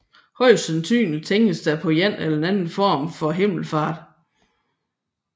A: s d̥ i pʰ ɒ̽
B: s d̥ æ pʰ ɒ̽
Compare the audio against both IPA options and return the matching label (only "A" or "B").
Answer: B